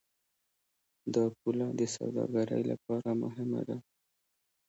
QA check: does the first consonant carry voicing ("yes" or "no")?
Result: yes